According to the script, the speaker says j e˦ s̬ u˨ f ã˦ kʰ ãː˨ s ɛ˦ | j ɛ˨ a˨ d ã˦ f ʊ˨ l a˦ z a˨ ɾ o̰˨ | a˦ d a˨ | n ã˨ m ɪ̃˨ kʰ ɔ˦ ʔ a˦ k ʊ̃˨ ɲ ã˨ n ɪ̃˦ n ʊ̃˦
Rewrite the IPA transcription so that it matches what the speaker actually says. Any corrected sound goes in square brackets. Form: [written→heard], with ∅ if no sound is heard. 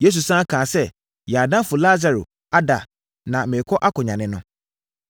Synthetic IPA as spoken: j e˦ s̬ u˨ [f→s] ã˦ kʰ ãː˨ s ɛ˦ | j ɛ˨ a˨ d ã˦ f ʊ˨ l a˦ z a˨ ɾ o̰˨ | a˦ d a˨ | n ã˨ m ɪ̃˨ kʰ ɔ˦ ʔ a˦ k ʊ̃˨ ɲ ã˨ n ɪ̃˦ n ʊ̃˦

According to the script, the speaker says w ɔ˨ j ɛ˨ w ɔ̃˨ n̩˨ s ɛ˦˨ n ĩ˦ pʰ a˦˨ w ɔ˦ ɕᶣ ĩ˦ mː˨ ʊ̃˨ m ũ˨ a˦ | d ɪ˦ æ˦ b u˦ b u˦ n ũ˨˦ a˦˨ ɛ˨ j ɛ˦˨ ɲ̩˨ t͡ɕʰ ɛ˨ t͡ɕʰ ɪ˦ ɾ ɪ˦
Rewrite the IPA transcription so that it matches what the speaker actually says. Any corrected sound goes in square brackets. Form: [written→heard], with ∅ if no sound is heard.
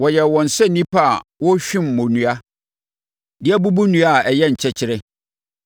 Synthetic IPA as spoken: w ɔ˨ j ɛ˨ w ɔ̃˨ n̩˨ s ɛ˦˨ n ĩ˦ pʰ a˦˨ w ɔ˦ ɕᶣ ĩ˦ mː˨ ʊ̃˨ [m→n] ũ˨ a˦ | d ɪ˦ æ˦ b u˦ b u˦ n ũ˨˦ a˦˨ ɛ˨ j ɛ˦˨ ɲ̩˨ t͡ɕʰ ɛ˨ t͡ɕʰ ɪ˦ ɾ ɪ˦

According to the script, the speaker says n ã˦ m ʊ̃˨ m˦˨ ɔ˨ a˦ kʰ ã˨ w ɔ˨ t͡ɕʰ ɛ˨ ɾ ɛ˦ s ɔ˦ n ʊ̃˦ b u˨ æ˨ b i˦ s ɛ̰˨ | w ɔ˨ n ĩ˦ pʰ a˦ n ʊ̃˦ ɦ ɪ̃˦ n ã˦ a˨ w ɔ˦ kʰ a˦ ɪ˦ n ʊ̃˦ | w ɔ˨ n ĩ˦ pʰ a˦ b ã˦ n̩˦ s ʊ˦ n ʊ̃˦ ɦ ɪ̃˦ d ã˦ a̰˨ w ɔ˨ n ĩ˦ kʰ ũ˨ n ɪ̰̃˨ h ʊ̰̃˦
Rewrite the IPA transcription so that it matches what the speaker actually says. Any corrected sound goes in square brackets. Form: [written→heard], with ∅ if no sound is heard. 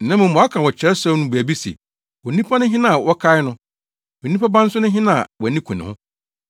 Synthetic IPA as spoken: n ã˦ m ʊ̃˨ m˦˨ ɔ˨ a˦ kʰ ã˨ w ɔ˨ t͡ɕʰ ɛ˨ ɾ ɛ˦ s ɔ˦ n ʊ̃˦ b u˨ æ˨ b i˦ s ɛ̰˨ | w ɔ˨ n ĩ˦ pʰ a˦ n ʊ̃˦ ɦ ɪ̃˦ n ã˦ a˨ w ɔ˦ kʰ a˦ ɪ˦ n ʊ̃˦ | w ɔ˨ n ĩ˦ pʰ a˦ b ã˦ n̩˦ s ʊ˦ n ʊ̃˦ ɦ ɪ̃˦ [d→n] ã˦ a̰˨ w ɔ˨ n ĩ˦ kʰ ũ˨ n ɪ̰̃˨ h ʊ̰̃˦

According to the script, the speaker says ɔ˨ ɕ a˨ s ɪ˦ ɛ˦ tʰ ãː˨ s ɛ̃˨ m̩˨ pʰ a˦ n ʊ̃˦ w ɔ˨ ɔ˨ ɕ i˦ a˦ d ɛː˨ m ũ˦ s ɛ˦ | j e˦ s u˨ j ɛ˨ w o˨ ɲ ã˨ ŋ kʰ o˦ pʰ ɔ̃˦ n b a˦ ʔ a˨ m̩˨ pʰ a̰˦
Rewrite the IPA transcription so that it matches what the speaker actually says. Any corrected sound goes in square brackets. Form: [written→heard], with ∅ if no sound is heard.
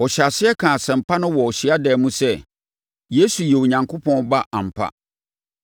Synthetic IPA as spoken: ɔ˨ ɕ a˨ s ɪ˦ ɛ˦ [tʰ→kʰ] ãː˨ s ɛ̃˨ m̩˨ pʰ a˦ n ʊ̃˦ w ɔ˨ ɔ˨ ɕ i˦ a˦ d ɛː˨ m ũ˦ s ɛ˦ | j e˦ s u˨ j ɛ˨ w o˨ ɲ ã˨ ŋ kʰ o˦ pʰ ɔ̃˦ n b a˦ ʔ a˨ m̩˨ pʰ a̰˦

